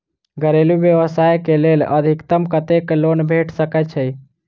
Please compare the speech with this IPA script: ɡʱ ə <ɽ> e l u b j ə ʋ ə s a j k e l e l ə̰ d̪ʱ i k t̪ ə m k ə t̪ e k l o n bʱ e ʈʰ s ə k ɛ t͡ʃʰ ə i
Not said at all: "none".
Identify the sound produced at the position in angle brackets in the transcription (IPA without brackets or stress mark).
ɾ